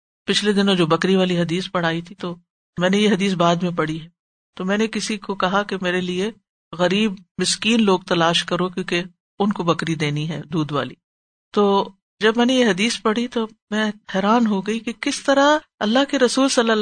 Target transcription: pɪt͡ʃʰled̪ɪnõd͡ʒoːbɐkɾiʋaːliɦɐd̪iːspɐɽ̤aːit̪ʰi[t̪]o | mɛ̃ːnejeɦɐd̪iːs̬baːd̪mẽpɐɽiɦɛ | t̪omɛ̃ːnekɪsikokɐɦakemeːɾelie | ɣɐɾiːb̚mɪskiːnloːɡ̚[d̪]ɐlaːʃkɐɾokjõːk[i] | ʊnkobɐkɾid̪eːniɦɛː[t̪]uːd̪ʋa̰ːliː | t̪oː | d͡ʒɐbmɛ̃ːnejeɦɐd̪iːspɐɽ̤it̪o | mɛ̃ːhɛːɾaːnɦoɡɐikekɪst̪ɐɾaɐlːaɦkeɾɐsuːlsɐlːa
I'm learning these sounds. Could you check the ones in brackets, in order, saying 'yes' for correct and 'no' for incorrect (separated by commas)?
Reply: yes, no, no, no